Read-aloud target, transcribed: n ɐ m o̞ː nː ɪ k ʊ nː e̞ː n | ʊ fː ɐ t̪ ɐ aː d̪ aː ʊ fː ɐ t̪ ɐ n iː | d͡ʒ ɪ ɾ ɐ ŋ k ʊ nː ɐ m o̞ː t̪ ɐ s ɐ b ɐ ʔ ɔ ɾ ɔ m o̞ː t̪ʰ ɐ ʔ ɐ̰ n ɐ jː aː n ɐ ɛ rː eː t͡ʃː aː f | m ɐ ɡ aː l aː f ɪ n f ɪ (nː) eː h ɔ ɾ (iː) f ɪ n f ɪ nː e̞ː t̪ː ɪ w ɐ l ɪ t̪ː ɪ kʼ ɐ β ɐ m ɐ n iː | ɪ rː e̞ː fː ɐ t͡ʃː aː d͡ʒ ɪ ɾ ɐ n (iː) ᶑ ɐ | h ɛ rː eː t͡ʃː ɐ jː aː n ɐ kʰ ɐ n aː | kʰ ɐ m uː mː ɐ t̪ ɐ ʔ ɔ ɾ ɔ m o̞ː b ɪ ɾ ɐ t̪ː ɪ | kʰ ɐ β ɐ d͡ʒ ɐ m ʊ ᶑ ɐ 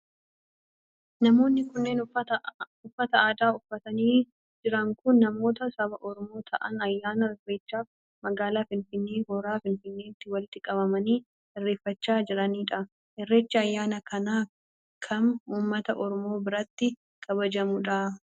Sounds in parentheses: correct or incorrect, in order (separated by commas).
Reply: correct, incorrect, correct